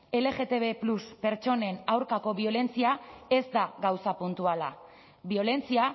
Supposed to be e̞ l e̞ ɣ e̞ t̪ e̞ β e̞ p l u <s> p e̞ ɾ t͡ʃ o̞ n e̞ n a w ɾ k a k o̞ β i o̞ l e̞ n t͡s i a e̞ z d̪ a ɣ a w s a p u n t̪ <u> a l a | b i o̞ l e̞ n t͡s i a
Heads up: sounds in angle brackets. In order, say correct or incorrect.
correct, correct

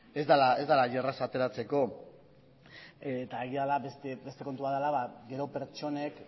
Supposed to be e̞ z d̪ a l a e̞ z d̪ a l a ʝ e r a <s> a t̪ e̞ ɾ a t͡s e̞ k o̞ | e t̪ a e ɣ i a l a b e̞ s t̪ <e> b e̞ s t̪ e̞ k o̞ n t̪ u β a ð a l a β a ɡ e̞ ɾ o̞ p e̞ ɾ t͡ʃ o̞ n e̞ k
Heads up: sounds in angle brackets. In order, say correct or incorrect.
correct, correct

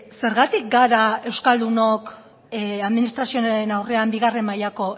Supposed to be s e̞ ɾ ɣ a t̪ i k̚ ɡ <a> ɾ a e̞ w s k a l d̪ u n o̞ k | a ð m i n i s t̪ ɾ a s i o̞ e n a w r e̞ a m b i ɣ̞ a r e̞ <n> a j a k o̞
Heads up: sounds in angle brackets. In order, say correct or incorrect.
correct, incorrect: m

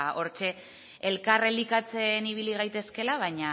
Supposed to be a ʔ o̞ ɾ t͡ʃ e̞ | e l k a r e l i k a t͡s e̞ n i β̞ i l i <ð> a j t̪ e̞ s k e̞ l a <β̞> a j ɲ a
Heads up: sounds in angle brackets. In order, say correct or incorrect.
incorrect: ɣ, correct

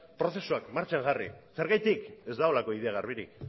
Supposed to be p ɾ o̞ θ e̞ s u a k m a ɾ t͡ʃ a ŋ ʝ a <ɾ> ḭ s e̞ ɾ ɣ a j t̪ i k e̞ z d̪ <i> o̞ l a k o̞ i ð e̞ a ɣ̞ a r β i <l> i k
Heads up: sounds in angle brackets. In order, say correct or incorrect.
incorrect: r, incorrect: a, incorrect: ɾ

